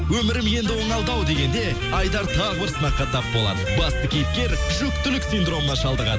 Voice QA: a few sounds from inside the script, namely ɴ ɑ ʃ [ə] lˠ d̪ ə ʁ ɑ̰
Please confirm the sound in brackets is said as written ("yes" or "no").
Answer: no